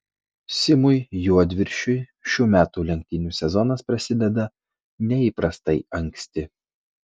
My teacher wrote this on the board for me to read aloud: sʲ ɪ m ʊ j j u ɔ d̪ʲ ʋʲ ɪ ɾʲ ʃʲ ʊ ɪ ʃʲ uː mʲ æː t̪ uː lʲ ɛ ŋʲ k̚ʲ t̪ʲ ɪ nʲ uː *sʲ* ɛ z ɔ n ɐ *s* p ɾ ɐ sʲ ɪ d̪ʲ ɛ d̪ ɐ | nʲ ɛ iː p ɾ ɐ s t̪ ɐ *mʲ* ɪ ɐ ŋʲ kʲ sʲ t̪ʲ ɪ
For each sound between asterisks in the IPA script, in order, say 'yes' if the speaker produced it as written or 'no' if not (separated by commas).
yes, yes, no